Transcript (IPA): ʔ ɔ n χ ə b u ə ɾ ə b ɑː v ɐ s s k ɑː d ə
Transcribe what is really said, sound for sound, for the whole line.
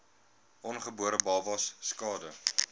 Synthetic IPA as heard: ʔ ɔ n χ ə b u ə ɾ ə b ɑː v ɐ s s k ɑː d ə